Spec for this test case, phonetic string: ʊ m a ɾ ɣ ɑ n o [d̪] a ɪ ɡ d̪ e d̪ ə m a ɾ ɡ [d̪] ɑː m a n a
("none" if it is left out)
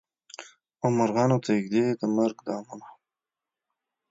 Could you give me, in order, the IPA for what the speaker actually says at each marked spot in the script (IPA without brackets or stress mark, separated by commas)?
t̪, d̪